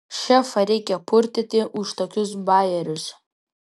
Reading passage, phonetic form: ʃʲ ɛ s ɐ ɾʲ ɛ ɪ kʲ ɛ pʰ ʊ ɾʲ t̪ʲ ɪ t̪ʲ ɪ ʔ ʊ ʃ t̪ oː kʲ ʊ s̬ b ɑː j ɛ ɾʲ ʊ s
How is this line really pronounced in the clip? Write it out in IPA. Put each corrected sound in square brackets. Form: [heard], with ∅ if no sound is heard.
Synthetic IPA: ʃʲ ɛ [f] ɐ ɾʲ ɛ ɪ kʲ ɛ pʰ ʊ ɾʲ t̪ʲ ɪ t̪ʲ ɪ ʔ ʊ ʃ t̪ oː kʲ ʊ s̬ b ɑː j ɛ ɾʲ ʊ s